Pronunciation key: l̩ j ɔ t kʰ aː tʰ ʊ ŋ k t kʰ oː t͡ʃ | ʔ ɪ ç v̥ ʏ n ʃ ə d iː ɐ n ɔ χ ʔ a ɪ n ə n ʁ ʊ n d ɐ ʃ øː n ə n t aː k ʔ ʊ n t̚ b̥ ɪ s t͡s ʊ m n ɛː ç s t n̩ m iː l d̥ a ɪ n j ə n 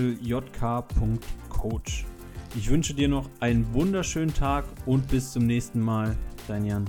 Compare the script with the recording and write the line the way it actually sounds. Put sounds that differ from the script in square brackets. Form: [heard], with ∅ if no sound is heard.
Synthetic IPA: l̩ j ɔ t kʰ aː [pʰ] ʊ ŋ k t kʰ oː t͡ʃ | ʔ ɪ ç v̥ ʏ n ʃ ə d iː ɐ n ɔ χ ʔ a ɪ n ə n [v] ʊ n d ɐ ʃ øː n ə n [tʰ] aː k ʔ ʊ n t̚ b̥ ɪ s t͡s ʊ m n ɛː ç s t n̩ m [aː] l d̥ a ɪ n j [a] n